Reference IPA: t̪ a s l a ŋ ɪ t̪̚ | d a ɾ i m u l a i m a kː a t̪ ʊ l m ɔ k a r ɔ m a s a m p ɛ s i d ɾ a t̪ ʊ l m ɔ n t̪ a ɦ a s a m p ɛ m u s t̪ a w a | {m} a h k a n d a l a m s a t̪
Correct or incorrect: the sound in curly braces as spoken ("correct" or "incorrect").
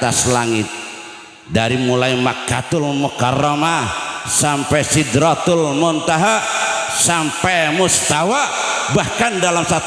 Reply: incorrect